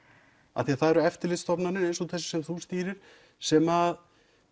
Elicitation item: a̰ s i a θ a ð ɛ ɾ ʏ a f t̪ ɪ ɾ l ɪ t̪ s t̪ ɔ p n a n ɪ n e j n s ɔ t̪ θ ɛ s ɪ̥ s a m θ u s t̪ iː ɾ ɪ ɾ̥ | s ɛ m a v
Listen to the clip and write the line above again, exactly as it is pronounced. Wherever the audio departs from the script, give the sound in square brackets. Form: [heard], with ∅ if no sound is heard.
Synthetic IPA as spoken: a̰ [θ] i a θ a ð ɛ ɾ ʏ [ɛ] f t̪ ɪ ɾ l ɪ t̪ s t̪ ɔ p n a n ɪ n e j n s ɔ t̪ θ ɛ s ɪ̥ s [ɛ] m θ u s t̪ iː ɾ ɪ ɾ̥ | s ɛ m a [ð]